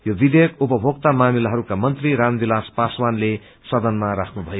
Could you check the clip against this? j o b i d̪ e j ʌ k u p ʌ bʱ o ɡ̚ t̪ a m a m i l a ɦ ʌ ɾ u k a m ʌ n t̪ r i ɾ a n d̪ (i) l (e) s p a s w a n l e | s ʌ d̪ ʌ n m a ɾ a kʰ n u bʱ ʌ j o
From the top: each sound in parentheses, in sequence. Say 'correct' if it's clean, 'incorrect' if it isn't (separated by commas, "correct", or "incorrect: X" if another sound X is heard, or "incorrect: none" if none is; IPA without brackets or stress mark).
correct, incorrect: a